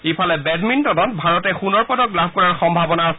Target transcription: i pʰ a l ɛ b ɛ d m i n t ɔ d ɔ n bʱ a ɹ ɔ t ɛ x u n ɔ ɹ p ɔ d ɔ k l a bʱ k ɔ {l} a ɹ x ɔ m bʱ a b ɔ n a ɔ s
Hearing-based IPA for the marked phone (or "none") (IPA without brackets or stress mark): ɹ